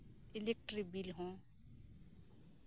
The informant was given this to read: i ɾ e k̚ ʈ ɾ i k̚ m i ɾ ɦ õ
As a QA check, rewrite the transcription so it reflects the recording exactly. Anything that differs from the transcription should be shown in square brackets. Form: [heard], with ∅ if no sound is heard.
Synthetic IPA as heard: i [l] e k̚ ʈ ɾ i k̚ [b] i [l] ɦ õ